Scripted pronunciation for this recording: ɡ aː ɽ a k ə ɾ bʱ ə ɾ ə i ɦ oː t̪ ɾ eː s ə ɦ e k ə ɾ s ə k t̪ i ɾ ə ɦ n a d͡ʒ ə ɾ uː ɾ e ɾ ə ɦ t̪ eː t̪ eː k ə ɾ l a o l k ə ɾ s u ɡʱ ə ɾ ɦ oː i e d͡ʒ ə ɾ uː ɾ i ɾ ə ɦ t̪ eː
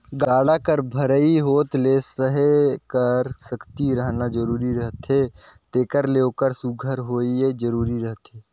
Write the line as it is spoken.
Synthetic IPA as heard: ɡ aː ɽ a k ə ɾ bʱ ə ɾ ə i ɦ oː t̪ l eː s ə ɦ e k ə ɾ s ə k t̪ i ɾ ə ɦ n a d͡ʒ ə ɾ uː ɾ i ɾ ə ɦ t̪ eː t̪ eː k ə ɾ l e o k ə ɾ s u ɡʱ ə ɾ ɦ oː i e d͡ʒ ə ɾ uː ɾ i ɾ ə ɦ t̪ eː